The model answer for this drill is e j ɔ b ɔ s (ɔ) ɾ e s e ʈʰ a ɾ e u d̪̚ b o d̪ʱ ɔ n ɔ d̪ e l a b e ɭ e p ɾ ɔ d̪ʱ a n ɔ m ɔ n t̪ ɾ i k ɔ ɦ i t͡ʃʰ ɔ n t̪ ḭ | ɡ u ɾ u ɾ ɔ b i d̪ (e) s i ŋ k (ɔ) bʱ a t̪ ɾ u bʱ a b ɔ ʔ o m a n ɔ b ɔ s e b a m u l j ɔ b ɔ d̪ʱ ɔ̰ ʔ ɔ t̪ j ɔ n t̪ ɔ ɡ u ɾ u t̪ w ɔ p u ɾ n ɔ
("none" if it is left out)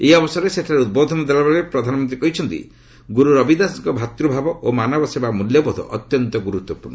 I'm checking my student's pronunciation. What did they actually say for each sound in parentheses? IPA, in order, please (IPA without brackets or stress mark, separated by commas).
ɔ, a, ɔ